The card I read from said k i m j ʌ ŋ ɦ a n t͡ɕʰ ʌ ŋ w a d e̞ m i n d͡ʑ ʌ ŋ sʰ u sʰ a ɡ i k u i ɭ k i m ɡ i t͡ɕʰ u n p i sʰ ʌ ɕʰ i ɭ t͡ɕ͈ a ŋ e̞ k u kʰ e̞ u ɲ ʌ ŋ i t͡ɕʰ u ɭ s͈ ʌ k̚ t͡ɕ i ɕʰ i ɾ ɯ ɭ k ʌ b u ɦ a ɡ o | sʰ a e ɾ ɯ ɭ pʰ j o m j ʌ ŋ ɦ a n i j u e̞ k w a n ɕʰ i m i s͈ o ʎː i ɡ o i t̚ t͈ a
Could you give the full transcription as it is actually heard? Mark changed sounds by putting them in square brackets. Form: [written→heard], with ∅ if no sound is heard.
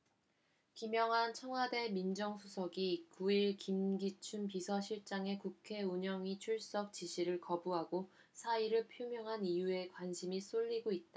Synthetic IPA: k i m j ʌ ŋ ɦ a n t͡ɕʰ ʌ ŋ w a d e̞ m i n d͡ʑ ʌ ŋ sʰ u sʰ [a→ʌ] ɡ i k u i ɭ k i m ɡ i t͡ɕʰ u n p i sʰ ʌ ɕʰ i ɭ t͡ɕ͈ a ŋ e̞ k u kʰ e̞ u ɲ ʌ ŋ i t͡ɕʰ u ɭ s͈ ʌ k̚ t͡ɕ i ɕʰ i ɾ ɯ ɭ k ʌ b u ɦ a ɡ o | sʰ a [e→i] ɾ ɯ ɭ pʰ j o m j ʌ ŋ ɦ a n i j u e̞ k w a n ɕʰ i m i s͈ o ʎː i ɡ o i t̚ t͈ a